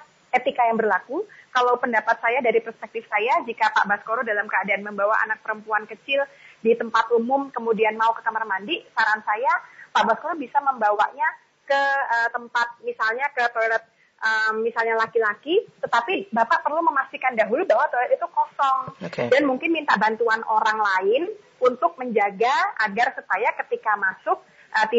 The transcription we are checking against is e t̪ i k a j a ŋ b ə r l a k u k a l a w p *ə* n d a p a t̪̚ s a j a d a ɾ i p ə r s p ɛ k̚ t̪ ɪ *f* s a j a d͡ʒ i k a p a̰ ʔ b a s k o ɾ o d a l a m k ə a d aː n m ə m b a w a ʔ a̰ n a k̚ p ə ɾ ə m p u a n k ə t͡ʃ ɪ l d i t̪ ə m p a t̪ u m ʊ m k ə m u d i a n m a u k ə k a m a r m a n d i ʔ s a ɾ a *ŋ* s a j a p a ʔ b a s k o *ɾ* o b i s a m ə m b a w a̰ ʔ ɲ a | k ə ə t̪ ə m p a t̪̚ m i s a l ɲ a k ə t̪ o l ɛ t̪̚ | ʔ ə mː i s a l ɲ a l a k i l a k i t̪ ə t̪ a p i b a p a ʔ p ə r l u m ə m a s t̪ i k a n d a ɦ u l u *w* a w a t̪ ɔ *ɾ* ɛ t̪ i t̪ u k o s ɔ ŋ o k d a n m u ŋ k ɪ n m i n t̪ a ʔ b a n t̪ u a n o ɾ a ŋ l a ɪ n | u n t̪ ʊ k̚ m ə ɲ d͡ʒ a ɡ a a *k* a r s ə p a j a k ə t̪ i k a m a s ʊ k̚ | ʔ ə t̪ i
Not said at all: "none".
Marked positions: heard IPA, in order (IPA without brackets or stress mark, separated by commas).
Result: ə, f, n, ɾ, b, l, ɡ